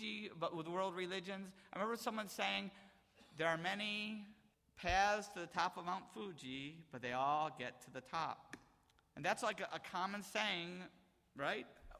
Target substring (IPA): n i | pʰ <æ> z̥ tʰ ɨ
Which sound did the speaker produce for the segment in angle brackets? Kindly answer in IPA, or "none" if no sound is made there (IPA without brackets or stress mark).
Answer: æ